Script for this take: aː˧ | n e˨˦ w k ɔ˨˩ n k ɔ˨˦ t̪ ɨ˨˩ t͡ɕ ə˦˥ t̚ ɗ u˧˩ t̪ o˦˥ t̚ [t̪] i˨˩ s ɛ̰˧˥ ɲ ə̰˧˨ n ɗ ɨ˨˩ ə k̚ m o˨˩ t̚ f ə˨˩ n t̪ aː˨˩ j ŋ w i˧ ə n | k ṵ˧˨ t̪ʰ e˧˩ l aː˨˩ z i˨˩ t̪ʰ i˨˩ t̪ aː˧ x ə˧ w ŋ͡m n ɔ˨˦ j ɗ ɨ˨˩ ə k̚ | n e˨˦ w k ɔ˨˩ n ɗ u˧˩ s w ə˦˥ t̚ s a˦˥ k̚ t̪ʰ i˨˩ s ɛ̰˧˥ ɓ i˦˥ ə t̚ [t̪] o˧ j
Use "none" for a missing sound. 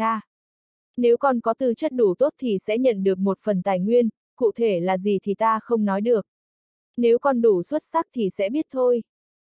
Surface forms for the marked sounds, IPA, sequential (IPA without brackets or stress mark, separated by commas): t̪ʰ, t̪ʰ